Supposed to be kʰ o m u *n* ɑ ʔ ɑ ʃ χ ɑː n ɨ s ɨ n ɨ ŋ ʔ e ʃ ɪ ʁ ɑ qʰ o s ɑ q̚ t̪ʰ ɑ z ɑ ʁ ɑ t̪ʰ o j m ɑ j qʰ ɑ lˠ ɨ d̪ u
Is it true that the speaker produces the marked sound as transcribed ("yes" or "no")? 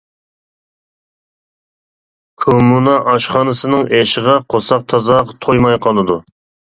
yes